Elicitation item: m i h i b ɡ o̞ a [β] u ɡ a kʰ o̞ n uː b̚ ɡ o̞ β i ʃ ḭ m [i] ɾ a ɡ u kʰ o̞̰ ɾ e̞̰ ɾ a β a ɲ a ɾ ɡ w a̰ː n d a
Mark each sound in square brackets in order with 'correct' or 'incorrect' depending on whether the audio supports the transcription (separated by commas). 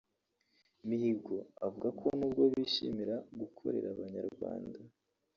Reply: incorrect, correct